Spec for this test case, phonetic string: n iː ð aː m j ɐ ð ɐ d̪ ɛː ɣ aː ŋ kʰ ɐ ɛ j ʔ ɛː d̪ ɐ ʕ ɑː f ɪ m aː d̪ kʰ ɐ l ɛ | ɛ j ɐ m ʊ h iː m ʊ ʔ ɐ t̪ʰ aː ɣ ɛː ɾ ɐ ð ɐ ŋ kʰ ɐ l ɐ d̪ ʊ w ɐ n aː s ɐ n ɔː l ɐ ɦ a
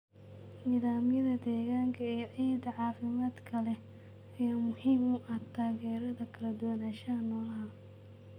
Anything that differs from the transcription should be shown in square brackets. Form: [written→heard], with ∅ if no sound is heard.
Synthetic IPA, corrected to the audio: n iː ð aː m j ɐ ð ɐ d̪ ɛː ɣ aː ŋ kʰ ɐ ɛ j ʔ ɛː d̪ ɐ ʕ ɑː f ɪ m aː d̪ kʰ ɐ l ɛ | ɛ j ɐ m ʊ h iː m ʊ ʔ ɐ t̪ʰ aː ɣ ɛː ɾ ɐ ð ɐ [ŋ→∅] kʰ ɐ l ɐ d̪ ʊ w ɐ n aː [s→ʃ] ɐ n ɔː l ɐ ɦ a